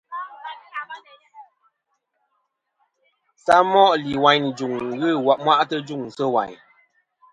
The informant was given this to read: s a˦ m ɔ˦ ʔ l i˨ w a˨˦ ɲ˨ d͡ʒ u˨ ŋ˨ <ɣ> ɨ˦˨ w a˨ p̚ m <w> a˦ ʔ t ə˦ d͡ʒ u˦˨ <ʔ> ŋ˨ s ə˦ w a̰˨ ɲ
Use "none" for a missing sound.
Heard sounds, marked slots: ɣ, w, none

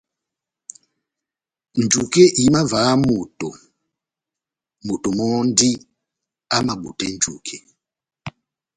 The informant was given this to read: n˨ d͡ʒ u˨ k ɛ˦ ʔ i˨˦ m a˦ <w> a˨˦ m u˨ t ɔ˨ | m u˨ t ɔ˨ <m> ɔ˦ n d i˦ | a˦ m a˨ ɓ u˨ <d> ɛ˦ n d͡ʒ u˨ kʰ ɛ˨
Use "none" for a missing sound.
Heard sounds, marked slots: v, m, t

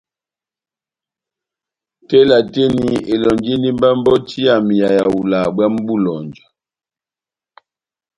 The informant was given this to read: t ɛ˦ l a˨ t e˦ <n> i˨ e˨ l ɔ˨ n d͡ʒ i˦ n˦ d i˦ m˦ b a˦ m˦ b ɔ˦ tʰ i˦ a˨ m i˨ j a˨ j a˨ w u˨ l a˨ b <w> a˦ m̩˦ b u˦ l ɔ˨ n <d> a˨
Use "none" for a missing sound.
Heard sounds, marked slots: n, w, d͡ʒ

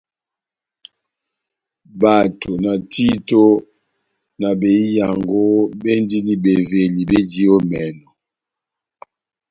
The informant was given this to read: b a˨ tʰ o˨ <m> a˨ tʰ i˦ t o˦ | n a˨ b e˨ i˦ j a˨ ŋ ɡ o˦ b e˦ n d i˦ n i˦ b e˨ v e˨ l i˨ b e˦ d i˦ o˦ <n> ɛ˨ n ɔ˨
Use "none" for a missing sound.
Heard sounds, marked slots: n, m

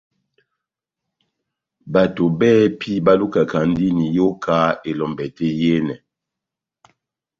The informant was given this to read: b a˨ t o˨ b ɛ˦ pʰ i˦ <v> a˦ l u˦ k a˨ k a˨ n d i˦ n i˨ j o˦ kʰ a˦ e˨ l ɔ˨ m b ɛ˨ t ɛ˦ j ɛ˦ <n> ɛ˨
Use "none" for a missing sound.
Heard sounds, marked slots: b, n

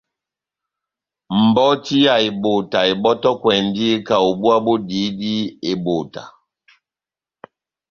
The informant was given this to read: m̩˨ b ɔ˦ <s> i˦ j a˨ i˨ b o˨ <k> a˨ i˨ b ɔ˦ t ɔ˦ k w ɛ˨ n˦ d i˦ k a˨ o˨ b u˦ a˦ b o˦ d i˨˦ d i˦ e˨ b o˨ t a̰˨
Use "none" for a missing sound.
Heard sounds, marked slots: t, t

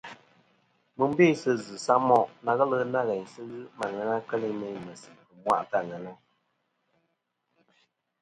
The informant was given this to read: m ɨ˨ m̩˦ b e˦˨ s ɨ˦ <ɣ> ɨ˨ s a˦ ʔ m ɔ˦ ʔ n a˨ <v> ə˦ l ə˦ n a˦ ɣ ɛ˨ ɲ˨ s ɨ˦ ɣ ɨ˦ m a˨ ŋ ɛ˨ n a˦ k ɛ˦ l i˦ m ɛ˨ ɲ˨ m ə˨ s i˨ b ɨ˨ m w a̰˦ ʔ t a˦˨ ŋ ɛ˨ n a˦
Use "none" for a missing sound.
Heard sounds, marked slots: z, ɣ

